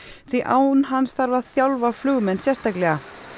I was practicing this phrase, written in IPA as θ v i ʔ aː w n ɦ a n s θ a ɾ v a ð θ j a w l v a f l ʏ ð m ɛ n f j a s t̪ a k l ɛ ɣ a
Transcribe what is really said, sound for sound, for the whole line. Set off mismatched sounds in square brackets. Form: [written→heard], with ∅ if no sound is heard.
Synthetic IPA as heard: θ v i ʔ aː w n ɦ a n s θ a ɾ v a ð θ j a w l v a f l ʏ [ð→ɣ] m ɛ n [f→s] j [a→ɛ] s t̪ a k l ɛ ɣ a